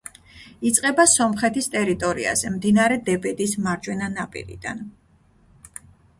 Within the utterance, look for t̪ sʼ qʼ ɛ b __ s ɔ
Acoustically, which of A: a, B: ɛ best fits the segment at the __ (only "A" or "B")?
A